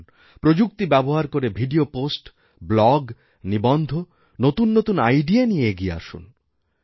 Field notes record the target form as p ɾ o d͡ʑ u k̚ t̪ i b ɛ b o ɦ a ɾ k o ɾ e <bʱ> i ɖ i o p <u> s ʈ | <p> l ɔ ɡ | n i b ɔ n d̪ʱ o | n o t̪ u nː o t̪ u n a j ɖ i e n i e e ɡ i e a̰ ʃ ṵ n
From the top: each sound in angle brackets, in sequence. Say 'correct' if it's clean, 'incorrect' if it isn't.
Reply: correct, incorrect: o, incorrect: b

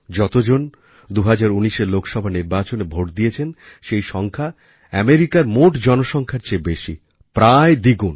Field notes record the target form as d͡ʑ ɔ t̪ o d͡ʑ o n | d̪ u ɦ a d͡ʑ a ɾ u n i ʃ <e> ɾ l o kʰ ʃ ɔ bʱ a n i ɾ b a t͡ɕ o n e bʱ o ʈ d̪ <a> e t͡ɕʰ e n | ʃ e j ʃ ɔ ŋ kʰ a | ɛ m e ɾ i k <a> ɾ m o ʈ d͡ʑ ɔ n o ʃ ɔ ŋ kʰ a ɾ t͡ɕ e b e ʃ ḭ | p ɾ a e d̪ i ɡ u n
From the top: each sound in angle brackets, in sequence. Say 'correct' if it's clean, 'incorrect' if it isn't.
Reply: correct, incorrect: i, correct

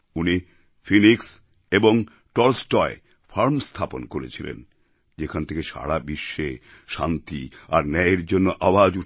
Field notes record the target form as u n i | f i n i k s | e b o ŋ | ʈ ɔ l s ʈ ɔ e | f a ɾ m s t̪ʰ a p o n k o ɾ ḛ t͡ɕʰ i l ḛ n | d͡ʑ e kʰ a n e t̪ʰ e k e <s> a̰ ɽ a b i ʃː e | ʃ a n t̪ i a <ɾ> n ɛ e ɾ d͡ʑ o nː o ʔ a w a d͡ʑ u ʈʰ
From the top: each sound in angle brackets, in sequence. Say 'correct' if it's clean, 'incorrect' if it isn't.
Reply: incorrect: ʃ, correct

